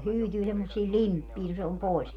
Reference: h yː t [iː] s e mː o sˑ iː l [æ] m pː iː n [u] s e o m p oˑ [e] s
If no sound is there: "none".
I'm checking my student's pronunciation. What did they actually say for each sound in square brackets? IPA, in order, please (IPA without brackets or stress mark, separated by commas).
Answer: yː, i, o, i